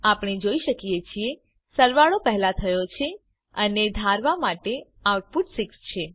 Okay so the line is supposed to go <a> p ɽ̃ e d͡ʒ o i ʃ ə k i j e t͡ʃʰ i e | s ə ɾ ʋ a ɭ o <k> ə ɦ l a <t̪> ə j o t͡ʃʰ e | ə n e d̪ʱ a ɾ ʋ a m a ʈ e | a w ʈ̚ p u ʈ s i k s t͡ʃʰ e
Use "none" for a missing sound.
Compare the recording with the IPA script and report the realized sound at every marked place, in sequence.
a, p, t̪ʰ

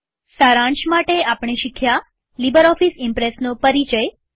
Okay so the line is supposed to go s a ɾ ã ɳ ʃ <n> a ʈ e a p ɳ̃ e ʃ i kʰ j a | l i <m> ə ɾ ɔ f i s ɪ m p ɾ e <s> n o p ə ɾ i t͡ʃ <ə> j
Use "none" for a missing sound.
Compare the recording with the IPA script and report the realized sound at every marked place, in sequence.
m, b, s, ə

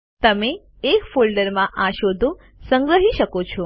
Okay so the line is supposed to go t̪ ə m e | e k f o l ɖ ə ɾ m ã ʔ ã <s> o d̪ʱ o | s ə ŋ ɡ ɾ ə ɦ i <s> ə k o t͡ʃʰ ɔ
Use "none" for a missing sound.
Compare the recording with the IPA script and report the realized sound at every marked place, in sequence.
ʃ, ʃ

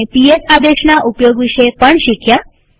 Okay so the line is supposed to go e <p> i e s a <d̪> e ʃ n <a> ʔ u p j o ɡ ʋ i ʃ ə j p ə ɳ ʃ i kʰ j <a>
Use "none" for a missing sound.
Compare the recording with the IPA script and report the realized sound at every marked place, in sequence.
p, d̪, a, a

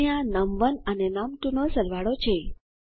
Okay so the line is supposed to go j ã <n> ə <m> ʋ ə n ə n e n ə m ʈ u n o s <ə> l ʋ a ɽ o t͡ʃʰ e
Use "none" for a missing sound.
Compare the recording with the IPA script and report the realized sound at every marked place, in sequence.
n, m, ə

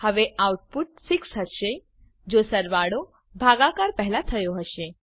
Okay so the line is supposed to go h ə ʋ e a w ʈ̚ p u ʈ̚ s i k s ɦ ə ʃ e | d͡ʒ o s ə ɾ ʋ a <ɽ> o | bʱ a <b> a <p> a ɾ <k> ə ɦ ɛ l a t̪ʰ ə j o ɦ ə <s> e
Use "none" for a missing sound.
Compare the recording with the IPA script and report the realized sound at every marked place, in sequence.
ɽ, ɡ, k, p, ʃ

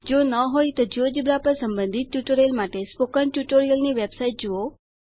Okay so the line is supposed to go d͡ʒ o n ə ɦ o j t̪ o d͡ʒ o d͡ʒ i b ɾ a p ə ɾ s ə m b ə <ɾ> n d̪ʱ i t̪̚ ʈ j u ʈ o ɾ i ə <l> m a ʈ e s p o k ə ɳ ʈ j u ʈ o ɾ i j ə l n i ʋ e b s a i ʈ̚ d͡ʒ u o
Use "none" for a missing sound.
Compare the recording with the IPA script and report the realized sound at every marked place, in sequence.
none, l

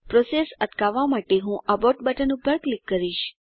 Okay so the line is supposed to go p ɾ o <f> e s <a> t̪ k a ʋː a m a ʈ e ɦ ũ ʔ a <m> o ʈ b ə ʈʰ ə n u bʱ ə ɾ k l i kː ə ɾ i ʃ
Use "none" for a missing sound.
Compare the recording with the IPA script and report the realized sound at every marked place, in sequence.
s, ə, b

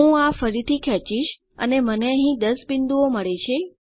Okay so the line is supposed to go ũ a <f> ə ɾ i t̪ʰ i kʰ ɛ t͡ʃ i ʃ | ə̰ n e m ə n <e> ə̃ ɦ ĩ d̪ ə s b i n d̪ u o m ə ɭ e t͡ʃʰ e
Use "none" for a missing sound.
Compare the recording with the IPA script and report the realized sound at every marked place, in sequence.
f, e

